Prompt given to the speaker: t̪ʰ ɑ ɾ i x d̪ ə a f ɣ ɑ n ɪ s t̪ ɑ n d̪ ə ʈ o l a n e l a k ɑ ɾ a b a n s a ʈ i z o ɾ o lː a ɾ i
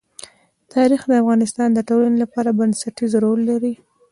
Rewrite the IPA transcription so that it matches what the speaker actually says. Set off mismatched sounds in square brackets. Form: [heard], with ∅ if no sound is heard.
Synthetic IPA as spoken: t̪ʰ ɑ ɾ i x d̪ ə a f ɣ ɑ n ɪ s t̪ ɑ n d̪ ə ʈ o l a n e l a [p] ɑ ɾ a b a n s a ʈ i z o ɾ o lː a ɾ i